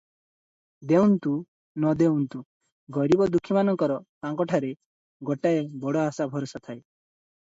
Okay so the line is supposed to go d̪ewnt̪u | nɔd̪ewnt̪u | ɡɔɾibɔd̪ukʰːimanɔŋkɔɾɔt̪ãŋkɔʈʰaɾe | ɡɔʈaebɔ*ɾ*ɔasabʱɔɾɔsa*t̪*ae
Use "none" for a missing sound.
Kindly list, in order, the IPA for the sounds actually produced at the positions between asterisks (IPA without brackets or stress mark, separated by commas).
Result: ɽ, t̪ʰ